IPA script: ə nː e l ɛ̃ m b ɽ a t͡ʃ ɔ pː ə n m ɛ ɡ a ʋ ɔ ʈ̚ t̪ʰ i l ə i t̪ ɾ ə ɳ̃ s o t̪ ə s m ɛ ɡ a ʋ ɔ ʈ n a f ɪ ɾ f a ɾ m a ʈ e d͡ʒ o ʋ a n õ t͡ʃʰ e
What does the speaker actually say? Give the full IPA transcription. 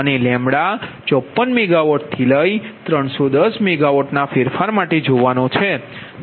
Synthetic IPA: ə n e l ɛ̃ m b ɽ a t͡ʃ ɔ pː ə n m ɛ ɡ a ʋ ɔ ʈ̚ t̪ʰ i l ə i t̪ ɾ ə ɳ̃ s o d̪ ə s m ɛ ɡ a ʋ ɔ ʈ n a f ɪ ɾ f a ɾ m a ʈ e d͡ʒ o ʋ a n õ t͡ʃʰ e